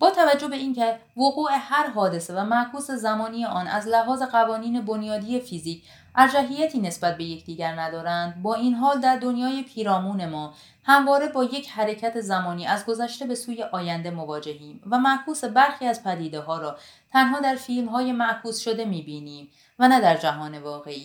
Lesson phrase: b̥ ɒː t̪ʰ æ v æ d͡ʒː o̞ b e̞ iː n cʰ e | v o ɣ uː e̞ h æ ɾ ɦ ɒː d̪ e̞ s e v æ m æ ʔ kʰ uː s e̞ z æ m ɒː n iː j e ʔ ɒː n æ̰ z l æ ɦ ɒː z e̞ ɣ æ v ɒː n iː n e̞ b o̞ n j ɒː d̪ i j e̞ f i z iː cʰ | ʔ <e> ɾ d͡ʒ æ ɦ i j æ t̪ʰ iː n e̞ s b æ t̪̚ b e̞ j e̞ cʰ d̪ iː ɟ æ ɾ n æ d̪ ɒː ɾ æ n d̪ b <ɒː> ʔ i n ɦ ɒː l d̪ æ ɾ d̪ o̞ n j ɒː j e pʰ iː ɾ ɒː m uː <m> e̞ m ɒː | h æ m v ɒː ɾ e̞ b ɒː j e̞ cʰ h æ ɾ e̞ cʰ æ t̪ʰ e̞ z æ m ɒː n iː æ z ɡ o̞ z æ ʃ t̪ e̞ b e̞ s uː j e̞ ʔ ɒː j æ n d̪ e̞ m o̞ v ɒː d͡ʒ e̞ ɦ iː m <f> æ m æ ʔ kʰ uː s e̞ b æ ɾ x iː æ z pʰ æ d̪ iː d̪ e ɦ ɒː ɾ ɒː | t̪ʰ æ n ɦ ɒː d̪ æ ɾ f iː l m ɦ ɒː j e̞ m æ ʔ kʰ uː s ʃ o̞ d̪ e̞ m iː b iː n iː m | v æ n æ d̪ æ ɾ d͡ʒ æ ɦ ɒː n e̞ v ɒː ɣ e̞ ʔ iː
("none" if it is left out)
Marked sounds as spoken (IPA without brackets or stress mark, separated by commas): æ, ɒː, n, v